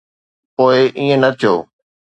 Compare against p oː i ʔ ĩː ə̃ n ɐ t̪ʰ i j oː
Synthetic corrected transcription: p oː ɪ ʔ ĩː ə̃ n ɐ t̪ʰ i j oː